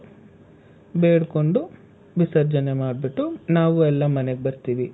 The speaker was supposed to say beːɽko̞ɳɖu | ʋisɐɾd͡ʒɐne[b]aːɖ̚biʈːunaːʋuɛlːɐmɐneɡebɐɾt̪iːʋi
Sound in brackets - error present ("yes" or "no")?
yes